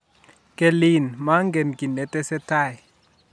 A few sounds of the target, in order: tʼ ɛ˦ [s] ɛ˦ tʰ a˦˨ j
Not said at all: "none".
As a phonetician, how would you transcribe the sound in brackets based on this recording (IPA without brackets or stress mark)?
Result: s